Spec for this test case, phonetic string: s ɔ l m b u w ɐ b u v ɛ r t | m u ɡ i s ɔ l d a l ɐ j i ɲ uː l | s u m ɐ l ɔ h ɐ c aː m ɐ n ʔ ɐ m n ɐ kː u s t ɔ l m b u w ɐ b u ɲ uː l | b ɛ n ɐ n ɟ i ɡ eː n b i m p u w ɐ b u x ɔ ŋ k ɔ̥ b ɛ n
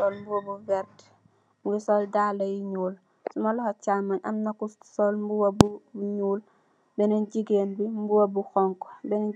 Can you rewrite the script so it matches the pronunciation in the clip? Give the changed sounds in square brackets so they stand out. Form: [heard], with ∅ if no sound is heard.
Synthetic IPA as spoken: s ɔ l m b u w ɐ b u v ɛ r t | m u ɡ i s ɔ l d a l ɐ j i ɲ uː l | s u m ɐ l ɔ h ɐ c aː m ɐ n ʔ ɐ m n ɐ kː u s [s] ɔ l m b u w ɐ b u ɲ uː l | b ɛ n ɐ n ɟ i ɡ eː n b i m [b] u w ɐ b u x ɔ ŋ k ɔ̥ b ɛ n